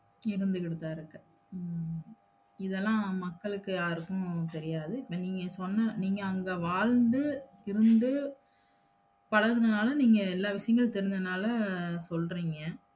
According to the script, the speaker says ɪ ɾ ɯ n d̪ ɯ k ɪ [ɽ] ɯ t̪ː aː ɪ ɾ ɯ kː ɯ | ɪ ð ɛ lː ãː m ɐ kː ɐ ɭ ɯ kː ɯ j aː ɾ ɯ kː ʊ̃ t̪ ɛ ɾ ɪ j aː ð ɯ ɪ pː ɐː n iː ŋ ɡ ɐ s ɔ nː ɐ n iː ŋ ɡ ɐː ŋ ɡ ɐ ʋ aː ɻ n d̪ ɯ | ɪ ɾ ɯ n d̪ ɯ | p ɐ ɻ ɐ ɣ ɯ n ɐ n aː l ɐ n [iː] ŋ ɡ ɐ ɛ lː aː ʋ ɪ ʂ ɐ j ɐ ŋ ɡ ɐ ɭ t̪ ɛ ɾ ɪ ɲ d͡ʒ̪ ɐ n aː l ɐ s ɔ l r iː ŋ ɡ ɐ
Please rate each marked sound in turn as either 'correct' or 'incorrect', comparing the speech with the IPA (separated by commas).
correct, correct